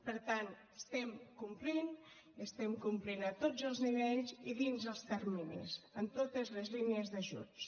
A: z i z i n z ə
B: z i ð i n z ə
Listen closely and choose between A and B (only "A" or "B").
B